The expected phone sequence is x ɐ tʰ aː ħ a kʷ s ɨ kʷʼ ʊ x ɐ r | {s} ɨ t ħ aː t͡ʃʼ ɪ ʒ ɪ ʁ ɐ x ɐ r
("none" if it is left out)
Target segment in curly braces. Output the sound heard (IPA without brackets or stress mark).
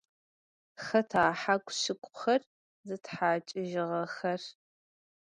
z